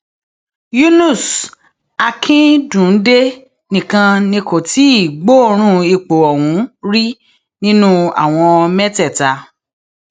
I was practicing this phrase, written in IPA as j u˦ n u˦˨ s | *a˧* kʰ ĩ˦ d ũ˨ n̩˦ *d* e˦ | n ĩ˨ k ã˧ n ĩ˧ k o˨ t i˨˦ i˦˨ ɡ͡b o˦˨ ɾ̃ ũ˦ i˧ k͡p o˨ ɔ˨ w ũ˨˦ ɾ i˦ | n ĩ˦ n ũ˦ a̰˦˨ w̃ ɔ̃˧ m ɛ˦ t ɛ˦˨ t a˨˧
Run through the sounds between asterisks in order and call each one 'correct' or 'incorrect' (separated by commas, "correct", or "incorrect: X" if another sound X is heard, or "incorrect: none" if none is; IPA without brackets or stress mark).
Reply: correct, correct